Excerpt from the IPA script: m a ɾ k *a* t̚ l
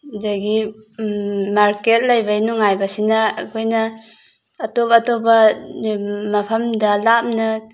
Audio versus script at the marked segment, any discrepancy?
yes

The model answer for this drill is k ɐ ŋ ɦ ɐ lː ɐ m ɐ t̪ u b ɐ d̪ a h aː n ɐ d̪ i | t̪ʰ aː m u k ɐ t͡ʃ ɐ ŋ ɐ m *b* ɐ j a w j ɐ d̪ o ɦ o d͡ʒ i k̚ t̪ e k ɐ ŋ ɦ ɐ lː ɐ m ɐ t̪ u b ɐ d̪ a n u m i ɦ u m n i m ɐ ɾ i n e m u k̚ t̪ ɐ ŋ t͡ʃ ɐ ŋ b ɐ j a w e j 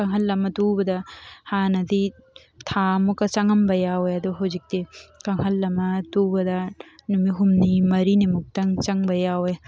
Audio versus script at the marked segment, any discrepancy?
no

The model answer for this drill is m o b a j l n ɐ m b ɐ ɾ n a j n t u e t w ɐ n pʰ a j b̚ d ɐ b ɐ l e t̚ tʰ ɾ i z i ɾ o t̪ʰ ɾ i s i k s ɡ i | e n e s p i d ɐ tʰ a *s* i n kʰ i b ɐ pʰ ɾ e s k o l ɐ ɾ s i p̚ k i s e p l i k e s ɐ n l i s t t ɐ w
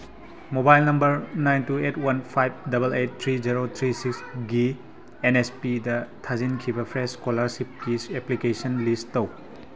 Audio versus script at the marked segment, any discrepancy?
yes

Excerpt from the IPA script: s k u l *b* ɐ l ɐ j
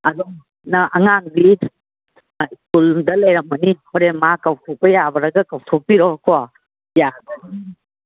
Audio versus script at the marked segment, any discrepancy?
yes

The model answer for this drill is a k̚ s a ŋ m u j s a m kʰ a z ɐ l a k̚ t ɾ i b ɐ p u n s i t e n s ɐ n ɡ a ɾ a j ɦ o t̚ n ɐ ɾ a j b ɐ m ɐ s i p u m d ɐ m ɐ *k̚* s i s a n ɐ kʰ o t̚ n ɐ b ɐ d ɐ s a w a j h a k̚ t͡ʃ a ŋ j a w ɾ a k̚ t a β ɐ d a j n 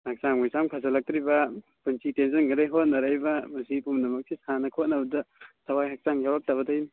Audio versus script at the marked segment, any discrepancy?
no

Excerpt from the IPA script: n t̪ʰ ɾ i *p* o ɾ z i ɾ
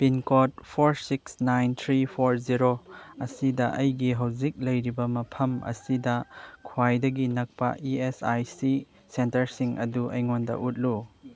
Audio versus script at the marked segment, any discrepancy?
yes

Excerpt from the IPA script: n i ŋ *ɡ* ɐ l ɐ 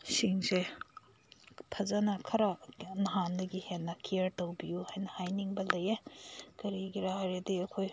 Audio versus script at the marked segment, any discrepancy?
yes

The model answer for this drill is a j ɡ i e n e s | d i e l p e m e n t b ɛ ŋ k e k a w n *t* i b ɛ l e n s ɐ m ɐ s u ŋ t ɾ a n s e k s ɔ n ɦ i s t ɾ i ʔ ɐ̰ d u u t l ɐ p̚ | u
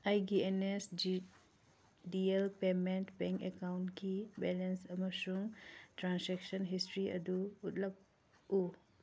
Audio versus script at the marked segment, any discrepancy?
yes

